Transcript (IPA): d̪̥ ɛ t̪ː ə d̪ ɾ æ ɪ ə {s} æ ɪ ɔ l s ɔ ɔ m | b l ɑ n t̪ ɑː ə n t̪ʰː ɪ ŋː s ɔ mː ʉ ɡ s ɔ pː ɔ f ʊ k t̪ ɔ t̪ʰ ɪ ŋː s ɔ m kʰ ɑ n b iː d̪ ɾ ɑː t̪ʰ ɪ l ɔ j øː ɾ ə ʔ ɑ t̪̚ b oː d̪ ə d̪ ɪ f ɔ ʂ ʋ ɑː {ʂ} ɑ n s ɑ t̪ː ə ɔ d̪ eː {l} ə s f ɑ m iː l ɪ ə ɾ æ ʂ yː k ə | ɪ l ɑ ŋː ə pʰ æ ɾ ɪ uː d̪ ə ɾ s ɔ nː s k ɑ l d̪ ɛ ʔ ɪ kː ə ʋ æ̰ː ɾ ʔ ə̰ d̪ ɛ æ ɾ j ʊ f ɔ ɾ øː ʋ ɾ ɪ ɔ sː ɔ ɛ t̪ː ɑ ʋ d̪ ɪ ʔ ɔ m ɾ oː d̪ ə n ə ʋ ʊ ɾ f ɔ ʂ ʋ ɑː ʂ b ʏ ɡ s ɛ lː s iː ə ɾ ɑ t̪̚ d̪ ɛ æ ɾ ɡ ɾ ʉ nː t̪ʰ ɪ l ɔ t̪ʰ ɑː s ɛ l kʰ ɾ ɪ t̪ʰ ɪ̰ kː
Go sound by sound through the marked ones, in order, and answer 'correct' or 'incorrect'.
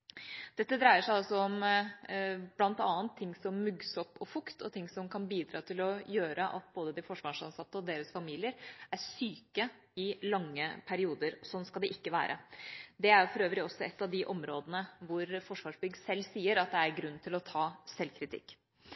incorrect, correct, incorrect

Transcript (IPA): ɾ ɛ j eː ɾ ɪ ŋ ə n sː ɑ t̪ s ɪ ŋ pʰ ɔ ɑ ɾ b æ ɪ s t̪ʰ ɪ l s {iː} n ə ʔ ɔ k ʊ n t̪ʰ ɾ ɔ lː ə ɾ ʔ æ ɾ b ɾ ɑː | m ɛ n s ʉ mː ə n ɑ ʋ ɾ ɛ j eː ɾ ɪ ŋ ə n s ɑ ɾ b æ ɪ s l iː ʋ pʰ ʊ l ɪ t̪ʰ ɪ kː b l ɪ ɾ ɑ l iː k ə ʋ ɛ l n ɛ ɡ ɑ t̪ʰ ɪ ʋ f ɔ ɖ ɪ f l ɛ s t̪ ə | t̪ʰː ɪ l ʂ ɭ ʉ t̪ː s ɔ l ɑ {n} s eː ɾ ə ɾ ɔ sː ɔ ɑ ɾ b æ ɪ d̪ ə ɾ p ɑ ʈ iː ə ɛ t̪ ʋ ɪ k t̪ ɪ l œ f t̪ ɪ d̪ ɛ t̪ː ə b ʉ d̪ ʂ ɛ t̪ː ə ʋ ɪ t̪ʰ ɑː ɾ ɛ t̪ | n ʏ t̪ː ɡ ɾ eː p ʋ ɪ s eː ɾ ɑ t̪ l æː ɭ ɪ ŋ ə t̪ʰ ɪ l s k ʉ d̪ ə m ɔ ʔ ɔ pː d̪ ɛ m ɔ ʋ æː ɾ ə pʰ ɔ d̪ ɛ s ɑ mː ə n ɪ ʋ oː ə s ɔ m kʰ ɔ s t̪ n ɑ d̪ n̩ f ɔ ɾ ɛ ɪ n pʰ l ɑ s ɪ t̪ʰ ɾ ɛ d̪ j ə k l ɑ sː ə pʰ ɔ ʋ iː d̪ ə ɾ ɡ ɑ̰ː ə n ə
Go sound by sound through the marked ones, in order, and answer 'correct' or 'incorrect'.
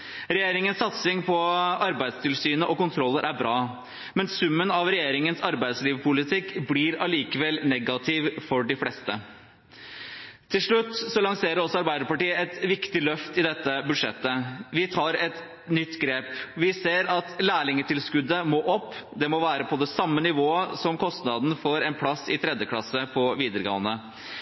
incorrect, incorrect

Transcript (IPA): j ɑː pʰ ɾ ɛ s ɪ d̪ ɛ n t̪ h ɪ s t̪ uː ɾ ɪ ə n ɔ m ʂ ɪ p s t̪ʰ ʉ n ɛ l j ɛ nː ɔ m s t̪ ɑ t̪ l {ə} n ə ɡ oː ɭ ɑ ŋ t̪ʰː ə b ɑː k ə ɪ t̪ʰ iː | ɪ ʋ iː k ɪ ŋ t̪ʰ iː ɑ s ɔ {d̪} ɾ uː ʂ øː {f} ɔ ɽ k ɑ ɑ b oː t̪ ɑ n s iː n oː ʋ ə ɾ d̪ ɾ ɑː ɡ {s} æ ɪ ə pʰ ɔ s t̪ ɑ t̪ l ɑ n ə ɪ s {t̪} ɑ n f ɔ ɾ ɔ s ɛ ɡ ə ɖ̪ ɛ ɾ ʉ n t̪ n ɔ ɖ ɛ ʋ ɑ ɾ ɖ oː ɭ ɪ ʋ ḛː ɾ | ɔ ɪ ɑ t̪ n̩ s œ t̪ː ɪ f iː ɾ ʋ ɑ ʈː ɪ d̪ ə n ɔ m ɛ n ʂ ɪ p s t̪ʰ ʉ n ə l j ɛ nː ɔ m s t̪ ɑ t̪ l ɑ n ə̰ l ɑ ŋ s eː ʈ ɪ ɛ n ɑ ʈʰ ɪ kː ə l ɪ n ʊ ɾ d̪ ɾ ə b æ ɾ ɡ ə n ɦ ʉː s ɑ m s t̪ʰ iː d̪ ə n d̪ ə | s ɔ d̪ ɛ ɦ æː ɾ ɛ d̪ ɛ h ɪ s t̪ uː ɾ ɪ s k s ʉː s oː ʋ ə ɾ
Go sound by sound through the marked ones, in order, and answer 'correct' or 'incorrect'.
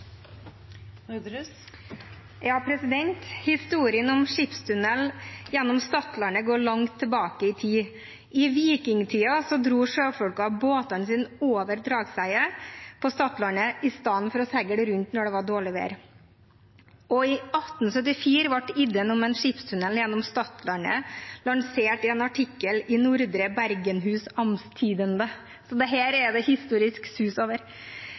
incorrect, correct, correct, correct, correct

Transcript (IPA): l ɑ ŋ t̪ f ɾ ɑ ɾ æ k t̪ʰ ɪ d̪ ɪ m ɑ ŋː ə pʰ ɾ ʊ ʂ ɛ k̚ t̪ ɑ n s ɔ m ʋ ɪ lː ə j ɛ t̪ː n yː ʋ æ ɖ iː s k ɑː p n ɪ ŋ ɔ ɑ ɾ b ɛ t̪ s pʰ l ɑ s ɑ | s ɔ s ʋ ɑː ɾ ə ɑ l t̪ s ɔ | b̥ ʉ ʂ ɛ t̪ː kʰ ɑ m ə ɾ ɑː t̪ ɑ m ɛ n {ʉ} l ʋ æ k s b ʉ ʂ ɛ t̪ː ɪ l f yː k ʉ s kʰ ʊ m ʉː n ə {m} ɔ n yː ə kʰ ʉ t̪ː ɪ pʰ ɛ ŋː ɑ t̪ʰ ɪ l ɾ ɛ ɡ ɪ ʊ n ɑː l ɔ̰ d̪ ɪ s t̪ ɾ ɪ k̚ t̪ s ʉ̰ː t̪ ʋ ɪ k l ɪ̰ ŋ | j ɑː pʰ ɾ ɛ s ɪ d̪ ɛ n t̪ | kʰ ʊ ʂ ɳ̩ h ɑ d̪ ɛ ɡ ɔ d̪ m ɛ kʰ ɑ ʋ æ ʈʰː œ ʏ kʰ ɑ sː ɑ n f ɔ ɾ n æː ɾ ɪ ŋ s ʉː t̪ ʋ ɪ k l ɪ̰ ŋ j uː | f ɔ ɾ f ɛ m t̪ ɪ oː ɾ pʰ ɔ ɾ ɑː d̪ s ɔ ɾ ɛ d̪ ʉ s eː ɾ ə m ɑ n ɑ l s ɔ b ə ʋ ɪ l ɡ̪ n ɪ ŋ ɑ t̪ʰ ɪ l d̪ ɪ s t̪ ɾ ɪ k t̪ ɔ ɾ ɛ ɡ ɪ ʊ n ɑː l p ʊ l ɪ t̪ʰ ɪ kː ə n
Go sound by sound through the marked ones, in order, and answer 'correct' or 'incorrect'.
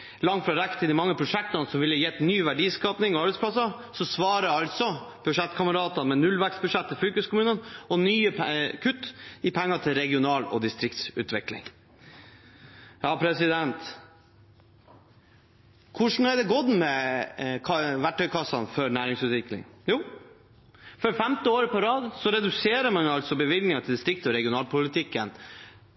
correct, incorrect

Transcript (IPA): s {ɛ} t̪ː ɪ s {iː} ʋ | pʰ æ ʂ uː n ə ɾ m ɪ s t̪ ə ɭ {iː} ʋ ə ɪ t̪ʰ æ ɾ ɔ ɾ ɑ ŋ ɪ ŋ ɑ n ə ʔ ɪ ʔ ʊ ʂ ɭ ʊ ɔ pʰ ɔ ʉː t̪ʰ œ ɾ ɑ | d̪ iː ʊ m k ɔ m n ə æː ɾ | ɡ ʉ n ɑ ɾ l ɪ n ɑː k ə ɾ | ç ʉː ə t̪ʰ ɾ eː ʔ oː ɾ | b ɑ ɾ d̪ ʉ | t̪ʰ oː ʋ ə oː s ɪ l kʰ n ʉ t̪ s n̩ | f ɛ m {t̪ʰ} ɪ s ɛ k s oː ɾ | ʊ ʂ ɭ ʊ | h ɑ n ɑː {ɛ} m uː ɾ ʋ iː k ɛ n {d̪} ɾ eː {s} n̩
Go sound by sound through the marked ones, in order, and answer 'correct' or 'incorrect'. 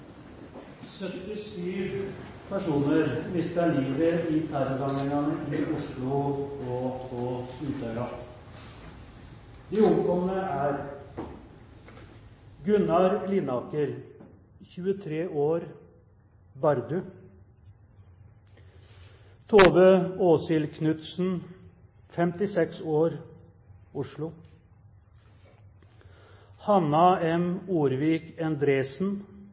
incorrect, incorrect, correct, incorrect, correct, correct, correct

